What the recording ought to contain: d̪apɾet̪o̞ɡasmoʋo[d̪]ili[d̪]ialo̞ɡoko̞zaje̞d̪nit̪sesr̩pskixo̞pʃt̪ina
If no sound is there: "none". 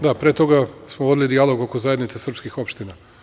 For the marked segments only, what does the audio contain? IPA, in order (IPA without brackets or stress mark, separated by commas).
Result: d̪, d̪